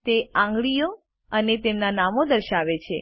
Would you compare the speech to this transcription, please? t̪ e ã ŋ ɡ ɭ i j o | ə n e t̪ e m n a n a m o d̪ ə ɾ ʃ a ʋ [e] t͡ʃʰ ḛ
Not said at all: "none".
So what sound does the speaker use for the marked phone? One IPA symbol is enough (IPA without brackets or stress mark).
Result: e